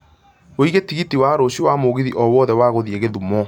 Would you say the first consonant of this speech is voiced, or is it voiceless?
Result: voiced